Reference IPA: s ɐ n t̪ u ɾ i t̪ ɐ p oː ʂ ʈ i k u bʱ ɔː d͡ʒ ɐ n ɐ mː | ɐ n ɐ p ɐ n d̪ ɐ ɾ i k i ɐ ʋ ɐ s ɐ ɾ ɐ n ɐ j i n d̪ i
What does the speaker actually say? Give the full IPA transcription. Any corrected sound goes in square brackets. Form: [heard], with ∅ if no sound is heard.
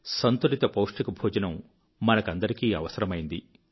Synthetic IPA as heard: s ɐ n t̪ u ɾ i t̪ ɐ p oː ʂ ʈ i k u bʱ [uː] d͡ʒ ɐ n ɐ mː | ɐ n ɐ [k] ɐ n d̪ ɐ ɾ i k [iː] ɐ ʋ ɐ s ɐ ɾ ɐ [m] ɐ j i n d̪ i